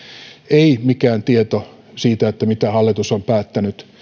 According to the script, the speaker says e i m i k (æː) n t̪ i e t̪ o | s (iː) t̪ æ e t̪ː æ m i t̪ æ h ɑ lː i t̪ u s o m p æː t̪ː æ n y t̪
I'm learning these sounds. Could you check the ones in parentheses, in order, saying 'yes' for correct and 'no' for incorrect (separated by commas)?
yes, yes